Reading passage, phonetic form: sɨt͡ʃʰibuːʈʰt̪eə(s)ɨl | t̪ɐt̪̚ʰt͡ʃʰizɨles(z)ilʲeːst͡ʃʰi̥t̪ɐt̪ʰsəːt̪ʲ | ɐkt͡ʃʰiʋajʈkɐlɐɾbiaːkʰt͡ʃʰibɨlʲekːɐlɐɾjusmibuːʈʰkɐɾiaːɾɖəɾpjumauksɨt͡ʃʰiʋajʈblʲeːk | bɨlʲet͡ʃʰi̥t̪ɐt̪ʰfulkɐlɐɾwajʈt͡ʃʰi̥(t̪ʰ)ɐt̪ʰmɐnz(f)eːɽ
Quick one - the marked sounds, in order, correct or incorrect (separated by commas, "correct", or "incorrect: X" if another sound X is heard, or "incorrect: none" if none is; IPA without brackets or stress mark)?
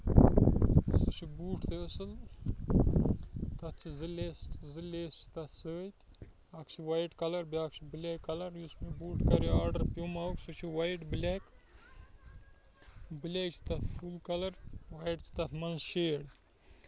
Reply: correct, correct, incorrect: t̪, incorrect: ʃ